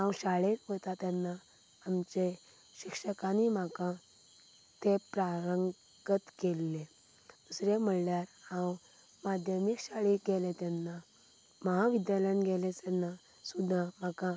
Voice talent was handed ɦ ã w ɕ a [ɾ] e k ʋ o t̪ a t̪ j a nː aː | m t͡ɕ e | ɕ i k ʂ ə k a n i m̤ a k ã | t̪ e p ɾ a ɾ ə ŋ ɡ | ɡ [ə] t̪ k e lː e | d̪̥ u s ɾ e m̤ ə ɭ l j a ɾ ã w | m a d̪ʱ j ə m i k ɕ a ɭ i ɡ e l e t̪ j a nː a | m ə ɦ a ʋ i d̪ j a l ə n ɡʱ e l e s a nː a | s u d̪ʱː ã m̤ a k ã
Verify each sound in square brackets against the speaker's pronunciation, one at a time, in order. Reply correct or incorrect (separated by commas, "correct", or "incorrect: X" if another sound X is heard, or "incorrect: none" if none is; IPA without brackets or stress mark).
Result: incorrect: ɭ, correct